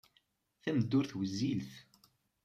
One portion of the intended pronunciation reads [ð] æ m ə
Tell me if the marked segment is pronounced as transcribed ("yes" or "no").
no